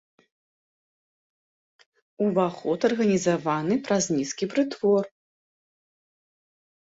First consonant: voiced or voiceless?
voiced